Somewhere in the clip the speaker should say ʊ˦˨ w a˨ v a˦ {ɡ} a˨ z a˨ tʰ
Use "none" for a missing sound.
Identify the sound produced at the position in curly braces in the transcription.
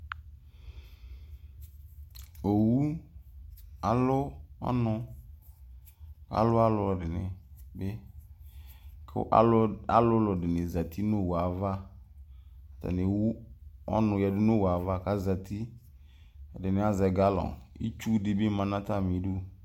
k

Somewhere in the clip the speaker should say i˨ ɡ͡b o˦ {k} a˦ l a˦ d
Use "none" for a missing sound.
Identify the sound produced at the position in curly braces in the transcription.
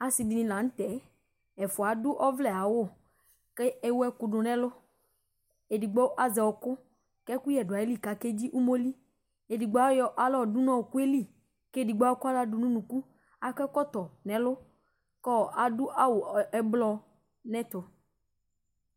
k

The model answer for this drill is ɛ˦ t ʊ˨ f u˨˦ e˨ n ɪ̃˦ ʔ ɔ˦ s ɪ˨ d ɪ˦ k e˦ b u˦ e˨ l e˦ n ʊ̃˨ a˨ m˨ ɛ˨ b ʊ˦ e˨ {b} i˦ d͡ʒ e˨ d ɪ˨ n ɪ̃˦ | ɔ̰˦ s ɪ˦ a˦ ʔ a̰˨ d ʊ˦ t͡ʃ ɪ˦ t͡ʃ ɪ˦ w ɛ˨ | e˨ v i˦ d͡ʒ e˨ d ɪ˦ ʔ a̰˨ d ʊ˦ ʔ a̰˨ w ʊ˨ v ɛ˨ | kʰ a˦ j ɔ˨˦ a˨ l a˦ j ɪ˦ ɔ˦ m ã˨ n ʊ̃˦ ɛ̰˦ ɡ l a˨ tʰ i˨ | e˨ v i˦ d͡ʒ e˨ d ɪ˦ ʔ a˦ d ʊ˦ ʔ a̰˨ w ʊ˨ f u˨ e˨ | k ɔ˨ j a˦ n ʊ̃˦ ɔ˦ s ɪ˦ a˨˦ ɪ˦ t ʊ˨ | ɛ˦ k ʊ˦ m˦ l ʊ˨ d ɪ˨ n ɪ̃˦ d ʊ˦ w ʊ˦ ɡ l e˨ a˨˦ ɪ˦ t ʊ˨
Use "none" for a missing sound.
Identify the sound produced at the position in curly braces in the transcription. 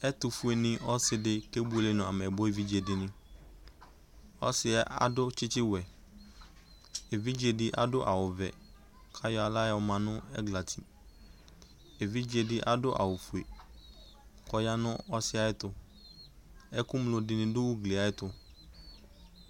v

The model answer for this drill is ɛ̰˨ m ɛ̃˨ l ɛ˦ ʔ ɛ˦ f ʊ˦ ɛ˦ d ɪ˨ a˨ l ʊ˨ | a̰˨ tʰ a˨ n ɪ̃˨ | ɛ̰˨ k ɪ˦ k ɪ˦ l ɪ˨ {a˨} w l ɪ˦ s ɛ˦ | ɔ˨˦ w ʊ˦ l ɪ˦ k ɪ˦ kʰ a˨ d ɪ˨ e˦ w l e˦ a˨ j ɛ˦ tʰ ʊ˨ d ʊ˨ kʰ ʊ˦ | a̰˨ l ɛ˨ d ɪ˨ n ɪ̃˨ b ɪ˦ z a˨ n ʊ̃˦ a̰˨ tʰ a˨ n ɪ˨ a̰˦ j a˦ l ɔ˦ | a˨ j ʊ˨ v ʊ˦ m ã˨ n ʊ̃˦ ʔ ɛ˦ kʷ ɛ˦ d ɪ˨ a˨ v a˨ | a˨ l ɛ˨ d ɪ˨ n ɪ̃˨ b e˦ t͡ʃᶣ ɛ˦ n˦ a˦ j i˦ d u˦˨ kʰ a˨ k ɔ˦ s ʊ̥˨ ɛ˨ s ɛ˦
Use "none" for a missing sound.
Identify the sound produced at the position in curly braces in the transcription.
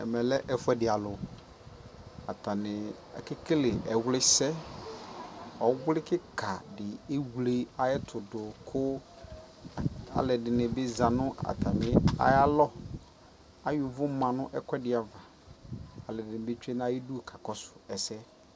ɛ˨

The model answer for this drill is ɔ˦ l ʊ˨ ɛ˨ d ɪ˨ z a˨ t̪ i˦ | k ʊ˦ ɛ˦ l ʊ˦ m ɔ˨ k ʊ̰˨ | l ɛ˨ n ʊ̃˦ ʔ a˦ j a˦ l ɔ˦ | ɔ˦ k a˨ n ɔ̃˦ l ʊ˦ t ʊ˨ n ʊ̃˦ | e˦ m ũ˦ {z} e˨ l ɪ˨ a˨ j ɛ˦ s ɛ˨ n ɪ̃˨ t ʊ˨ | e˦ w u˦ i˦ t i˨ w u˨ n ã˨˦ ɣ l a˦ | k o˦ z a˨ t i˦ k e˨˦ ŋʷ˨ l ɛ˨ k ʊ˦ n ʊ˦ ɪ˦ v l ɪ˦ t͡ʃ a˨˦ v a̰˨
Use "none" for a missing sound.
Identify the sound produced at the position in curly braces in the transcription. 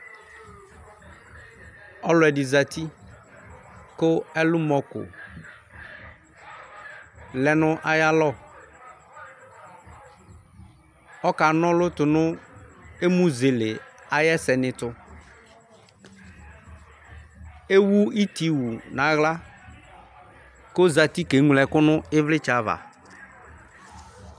z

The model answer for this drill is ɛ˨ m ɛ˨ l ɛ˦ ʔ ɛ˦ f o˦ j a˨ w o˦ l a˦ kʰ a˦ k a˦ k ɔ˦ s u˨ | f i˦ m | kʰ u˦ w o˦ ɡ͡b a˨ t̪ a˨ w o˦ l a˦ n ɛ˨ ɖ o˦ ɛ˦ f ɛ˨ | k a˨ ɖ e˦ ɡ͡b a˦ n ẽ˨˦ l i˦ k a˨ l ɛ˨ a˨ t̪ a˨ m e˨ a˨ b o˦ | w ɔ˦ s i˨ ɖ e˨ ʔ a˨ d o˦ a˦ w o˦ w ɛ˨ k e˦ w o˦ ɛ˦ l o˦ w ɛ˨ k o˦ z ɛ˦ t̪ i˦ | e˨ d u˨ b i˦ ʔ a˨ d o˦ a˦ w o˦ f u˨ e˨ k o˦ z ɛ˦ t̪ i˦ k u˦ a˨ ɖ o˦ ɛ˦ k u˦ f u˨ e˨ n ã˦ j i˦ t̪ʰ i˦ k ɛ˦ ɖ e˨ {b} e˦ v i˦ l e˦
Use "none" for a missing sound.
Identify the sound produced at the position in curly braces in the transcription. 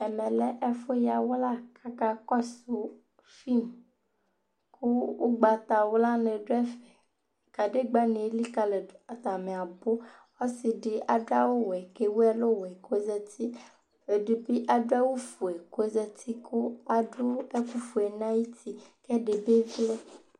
b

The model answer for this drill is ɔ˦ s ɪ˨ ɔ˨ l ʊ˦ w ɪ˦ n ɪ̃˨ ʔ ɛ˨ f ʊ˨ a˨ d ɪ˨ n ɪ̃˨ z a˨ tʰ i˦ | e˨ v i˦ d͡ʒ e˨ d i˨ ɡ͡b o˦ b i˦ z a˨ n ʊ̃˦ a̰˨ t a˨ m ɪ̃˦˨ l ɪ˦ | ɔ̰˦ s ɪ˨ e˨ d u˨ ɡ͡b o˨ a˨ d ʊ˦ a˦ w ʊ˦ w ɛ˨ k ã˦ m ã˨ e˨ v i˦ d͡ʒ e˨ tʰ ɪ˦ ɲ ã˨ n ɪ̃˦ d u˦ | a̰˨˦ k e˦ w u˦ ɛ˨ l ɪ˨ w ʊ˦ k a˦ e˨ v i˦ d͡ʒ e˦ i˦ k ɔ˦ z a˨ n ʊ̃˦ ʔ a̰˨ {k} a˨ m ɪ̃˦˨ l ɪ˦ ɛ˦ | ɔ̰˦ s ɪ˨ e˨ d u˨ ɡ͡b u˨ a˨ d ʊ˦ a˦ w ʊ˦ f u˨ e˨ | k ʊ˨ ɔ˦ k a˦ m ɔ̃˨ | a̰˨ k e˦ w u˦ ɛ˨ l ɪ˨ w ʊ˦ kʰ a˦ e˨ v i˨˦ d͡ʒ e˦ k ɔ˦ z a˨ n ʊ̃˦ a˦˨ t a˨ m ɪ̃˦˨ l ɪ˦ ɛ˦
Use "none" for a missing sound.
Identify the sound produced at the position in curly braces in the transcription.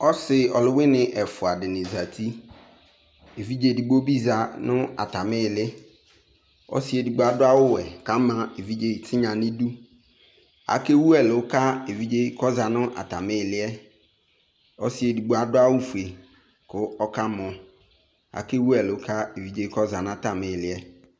t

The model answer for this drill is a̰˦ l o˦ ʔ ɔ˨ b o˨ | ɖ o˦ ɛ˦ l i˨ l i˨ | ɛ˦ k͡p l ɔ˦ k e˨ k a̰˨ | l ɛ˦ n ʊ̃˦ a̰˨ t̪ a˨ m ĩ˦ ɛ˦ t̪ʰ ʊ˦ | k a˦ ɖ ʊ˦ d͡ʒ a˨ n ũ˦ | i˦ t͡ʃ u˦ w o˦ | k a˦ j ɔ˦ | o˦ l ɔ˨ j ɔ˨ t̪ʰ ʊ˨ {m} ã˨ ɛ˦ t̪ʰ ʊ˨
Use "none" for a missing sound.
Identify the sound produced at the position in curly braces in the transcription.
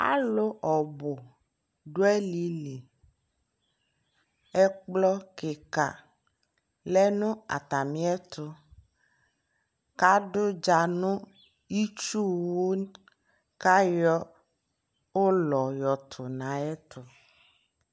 n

